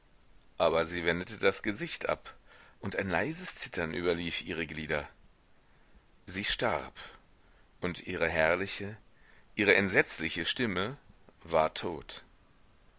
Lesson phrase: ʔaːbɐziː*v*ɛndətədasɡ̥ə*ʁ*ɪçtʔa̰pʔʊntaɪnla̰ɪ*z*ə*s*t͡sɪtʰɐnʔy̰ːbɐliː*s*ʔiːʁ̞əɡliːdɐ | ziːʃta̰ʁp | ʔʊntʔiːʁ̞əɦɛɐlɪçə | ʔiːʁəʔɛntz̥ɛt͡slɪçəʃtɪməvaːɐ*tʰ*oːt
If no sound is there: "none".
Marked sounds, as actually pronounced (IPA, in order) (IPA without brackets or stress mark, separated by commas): v, z, z, s, f, tʰ